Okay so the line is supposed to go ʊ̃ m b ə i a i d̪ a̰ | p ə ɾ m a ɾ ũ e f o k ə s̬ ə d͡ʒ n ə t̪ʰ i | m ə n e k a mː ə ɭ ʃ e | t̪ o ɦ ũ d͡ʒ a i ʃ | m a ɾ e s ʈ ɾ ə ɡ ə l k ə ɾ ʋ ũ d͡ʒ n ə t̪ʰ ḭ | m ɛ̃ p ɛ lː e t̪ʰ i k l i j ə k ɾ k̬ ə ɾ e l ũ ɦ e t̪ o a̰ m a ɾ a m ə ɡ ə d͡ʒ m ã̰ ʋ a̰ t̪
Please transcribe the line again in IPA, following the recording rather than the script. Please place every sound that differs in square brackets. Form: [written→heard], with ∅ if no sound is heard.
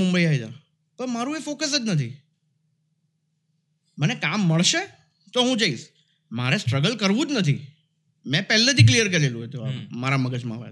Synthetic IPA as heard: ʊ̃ m b ə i a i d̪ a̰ | p ə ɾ m a ɾ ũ e f o k ə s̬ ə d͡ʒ n ə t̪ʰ i | m ə n e k a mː ə ɭ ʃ e | t̪ o ɦ ũ d͡ʒ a i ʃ | m a ɾ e s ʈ ɾ ə ɡ ə l k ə ɾ ʋ ũ d͡ʒ n ə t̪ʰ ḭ | m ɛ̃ p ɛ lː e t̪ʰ i k l i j ə [k→∅] ɾ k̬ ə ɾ e l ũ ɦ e t̪ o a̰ m a ɾ a m ə ɡ ə d͡ʒ m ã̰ ʋ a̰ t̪